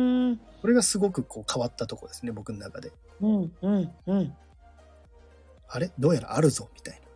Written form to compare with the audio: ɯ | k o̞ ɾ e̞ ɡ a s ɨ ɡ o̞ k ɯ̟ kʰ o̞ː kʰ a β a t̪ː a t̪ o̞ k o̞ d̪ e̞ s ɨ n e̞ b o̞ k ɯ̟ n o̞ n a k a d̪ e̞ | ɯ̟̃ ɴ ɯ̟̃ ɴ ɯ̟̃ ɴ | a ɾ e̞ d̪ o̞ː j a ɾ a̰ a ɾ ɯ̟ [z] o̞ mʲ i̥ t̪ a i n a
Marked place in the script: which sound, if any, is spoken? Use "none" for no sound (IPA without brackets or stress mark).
z